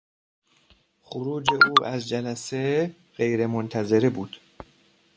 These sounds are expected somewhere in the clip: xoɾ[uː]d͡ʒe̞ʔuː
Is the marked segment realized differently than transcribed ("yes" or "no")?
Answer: no